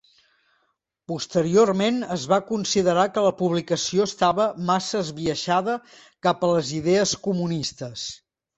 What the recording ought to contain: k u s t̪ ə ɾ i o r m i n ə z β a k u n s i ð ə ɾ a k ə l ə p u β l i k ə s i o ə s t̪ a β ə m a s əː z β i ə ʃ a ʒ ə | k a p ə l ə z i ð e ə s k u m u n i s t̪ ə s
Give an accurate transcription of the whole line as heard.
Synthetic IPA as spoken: p u s t̪ ə ɾ i o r m e n ə z β a k u n s i ð ə ɾ a k ə l ə p u β l i k ə s i o ə s t̪ a β ə m a s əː z β i ə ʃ a ð ə | k a p ə l ə z i ð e ə s k u m u n i s t̪ ə s